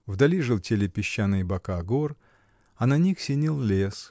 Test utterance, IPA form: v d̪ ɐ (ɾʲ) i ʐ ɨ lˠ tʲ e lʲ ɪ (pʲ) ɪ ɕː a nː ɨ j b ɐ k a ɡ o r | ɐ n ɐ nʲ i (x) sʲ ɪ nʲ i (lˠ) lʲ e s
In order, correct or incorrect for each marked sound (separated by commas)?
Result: incorrect, correct, correct, correct